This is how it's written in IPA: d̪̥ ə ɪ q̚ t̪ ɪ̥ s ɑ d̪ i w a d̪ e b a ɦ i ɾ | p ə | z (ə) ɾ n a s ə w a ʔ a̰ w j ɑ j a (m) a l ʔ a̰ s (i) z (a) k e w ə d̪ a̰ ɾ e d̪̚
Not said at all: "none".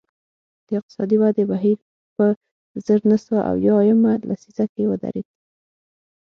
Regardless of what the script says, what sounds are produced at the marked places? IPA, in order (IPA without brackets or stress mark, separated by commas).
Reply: ə, m, i, a